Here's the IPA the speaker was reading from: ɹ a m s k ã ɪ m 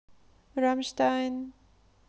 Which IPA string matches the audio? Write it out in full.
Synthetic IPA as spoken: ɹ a m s t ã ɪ n

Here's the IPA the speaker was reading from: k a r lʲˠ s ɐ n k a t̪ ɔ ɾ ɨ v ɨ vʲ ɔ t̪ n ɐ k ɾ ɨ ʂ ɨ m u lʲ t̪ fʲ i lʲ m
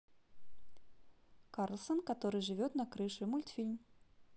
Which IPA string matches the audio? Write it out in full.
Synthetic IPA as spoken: k a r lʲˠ s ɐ n k a t̪ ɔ ɾ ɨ ʐ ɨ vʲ ɔ t̪ n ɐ k ɾ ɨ ʂ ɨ m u lʲ t̪ fʲ i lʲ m

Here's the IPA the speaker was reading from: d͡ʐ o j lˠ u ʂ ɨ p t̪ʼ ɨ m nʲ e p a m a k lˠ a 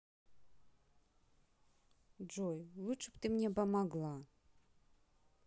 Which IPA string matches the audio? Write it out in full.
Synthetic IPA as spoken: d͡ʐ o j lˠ u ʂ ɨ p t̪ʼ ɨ m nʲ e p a m a ɡ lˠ a

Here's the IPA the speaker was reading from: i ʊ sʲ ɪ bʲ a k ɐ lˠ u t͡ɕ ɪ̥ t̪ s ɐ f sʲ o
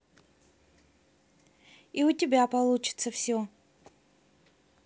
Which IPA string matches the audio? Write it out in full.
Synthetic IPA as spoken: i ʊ tʲ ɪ bʲ a p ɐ lˠ u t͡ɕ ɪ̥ t̪ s ə f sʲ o

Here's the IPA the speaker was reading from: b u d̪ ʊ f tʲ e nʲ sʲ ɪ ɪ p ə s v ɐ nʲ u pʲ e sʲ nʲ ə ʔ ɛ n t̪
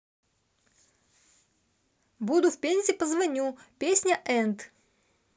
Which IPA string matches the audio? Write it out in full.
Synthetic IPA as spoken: b u d̪ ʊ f pʲ e nʲ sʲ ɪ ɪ p ə z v ɐ nʲ u pʲ e sʲ nʲ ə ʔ ɛ n t̪

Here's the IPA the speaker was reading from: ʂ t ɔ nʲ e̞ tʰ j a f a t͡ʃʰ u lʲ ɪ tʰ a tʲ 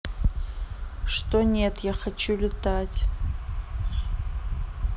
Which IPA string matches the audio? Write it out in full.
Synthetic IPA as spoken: ʂ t o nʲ e̞ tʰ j a χ a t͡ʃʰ u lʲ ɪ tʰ a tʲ

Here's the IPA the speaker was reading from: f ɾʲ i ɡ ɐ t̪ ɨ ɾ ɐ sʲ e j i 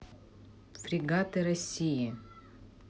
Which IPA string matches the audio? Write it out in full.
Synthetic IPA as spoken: f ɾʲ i ɡ a t̪ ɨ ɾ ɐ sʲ i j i

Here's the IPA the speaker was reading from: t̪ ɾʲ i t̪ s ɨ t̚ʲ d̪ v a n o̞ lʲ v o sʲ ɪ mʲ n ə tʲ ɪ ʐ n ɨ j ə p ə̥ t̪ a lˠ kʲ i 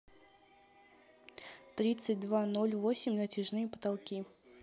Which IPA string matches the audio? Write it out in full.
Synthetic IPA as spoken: t̪ ɾʲ i t̪ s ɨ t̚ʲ d̪ v a n o̞ lʲ v o sʲ ɪ mʲ n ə tʲ ɪ ʐ n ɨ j ə p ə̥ t̪ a lˠ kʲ i

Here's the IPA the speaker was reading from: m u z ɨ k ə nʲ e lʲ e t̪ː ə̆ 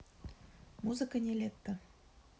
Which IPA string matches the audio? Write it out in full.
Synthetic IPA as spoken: m u z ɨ k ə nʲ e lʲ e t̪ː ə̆

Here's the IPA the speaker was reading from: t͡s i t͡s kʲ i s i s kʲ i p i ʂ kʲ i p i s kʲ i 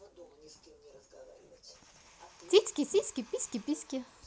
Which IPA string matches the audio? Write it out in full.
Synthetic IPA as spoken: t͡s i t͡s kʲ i s i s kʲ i p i s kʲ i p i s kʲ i

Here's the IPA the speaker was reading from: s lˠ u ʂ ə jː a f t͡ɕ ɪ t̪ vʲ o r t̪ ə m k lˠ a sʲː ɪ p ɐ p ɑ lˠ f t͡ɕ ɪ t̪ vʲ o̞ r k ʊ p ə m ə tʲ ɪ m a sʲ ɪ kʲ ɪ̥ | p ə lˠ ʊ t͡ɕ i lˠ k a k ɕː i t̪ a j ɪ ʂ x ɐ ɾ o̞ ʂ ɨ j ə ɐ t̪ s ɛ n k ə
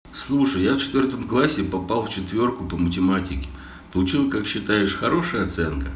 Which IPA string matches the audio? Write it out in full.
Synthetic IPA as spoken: s lˠ u ʂ ə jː a f t͡ɕ ɪ t̪ vʲ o r t̪ ə m k lˠ a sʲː ɪ p ɐ p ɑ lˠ f t͡ɕ ɪ t̪ vʲ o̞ r k ʊ p ə m ə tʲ ɪ m a tʲ ɪ kʲ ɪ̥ | p ə lˠ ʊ t͡ɕ i lˠ k a k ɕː ɪ t̪ a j ɪ ʂ x ɐ ɾ o̞ ʂ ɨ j ə ɐ t̪ s ɛ n k ə

